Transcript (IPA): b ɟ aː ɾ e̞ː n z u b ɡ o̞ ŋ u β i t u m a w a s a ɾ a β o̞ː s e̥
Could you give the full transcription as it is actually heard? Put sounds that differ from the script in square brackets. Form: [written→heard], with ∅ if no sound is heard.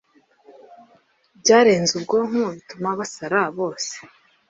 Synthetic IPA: b ɟ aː ɾ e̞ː n z u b ɡ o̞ ŋ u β i t u m a [w→β] a s a ɾ a β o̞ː s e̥